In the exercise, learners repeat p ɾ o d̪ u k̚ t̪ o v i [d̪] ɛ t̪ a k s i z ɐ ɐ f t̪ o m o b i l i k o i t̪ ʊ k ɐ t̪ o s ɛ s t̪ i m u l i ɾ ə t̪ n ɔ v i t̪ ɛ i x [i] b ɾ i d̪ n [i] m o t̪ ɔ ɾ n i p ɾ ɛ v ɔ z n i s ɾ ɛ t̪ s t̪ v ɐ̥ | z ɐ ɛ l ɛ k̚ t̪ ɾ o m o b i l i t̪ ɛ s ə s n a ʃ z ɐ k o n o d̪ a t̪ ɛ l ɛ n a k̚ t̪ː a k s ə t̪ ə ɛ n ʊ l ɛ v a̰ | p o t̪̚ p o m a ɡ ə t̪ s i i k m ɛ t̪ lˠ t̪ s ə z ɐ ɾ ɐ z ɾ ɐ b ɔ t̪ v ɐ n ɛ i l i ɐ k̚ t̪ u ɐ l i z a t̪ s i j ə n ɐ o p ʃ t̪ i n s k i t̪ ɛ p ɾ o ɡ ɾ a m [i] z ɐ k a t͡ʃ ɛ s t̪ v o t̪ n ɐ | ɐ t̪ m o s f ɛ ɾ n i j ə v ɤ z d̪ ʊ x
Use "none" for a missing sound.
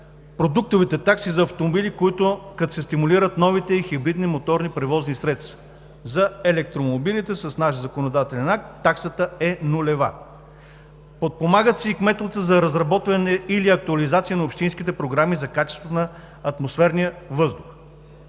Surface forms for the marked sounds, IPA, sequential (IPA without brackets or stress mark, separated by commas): t̪, i, i, i